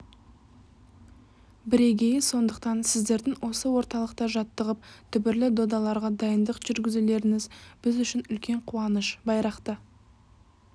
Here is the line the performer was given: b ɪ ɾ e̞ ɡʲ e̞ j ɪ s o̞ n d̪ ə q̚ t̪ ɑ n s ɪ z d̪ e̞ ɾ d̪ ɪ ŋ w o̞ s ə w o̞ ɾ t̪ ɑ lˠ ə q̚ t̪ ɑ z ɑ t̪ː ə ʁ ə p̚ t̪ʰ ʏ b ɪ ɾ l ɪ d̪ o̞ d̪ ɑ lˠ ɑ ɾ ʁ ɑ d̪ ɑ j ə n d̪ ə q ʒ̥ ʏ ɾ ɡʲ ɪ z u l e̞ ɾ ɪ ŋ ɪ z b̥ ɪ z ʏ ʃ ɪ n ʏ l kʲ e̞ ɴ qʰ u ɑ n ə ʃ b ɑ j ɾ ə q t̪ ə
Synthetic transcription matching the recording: b ɪ ɾ e̞ ɡʲ e̞ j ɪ s o̞ n d̪ ə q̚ t̪ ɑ n s ɪ z d̪ e̞ ɾ d̪ ɪ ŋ w o̞ s ə w o̞ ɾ t̪ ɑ lˠ ə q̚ t̪ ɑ ʒ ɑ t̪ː ə ʁ ə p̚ t̪ʰ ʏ b ɪ ɾ l ɪ d̪ o̞ d̪ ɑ lˠ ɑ ɾ ʁ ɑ d̪ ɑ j ə n d̪ ə q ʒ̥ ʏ ɾ ɡʲ ɪ z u l e̞ ɾ ɪ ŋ ɪ z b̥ ɪ z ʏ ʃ ɪ n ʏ l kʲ e̞ ɴ qʰ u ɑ n ə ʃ b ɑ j ɾ ɑ q t̪ ə